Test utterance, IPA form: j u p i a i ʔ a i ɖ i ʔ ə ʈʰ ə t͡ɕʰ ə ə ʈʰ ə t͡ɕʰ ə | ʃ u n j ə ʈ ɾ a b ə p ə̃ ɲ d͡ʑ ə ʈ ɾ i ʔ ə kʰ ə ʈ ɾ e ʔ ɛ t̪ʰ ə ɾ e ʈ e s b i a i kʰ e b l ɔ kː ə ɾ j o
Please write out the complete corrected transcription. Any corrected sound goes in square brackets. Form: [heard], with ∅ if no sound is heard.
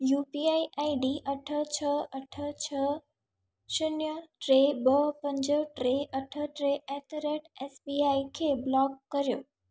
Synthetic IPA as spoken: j u p i a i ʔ a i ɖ i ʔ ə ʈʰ ə t͡ɕʰ ə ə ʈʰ ə t͡ɕʰ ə | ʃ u n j ə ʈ ɾ [e] b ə p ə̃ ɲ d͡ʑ ə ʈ ɾ [e] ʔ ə [ʈʰ] ə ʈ ɾ e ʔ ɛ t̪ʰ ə ɾ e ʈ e s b i a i kʰ e b l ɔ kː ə ɾ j o